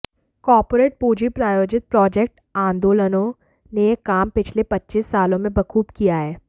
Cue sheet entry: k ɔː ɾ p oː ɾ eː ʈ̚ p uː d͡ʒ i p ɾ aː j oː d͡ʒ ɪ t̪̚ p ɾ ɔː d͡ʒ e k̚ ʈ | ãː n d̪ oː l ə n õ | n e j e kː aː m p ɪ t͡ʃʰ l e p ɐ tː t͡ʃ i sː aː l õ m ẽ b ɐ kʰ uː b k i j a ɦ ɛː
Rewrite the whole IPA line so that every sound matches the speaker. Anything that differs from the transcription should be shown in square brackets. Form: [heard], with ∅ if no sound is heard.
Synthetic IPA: k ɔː ɾ p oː ɾ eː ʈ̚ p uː d͡ʒ i p ɾ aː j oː d͡ʒ ɪ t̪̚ p ɾ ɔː d͡ʒ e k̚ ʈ | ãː n d̪ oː l ə n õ | n e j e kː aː m p ɪ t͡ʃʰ l e p ɐ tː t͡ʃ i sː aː l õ m ẽ b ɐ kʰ uː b k i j a ɦ ɛː